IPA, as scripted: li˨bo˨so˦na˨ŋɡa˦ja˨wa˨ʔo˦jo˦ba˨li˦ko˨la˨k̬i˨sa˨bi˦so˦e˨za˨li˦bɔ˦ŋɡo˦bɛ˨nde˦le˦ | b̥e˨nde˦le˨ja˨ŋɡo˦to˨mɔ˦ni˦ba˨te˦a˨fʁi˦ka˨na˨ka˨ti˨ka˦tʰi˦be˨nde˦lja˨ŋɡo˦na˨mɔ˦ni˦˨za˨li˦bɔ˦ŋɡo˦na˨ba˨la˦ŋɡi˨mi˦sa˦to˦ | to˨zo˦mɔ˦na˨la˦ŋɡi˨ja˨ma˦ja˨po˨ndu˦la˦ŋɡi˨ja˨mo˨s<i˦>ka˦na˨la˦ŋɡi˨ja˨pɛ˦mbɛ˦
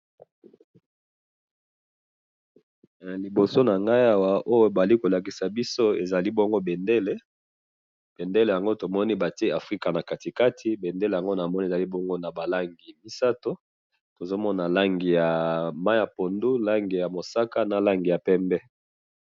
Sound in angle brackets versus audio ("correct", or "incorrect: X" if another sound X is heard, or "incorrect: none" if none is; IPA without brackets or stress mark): incorrect: a˦